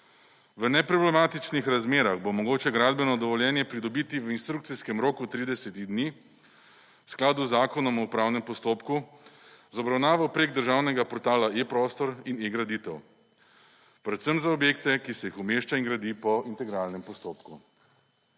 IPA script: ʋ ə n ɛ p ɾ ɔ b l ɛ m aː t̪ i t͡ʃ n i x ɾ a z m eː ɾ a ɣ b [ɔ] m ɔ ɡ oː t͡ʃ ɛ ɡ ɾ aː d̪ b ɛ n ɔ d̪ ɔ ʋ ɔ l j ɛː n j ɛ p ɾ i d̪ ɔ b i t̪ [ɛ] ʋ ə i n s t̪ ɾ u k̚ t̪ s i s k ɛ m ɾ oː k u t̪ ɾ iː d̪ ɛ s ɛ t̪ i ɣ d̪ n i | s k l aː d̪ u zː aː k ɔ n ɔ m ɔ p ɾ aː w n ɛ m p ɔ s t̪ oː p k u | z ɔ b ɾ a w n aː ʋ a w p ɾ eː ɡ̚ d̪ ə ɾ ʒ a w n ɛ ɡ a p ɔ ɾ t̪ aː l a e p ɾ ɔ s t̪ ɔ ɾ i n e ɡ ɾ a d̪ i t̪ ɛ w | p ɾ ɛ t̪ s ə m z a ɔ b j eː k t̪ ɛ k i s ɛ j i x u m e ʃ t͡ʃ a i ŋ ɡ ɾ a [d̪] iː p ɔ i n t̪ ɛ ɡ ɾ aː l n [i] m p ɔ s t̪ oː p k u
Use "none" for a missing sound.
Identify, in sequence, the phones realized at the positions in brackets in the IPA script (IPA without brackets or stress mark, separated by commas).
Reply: o, i, d̪, ɛ